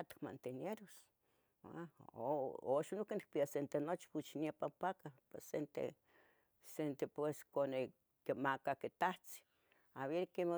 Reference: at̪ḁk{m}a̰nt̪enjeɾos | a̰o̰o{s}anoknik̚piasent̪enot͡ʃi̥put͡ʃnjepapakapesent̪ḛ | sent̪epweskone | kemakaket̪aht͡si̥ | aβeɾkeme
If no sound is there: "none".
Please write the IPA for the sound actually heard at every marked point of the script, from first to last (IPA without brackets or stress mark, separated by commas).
m, ʃ